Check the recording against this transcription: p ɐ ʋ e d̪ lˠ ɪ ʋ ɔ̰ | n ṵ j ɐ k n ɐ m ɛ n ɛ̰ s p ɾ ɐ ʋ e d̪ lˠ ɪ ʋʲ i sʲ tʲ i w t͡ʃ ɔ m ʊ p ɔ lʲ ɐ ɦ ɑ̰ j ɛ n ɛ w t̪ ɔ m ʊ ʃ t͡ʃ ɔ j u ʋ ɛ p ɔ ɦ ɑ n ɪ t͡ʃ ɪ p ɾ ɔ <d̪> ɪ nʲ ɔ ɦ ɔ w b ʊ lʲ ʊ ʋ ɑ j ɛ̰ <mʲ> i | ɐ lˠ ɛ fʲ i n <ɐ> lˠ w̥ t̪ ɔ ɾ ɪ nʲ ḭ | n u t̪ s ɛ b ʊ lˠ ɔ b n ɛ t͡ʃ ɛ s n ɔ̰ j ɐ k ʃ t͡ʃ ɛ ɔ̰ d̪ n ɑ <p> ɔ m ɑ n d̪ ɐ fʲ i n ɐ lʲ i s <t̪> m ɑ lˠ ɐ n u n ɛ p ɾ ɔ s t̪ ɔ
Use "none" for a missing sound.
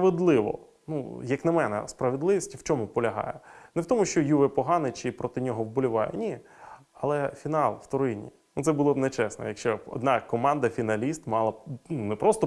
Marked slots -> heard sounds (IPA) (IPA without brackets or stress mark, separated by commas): t̪, nʲ, ɑ, k, t̪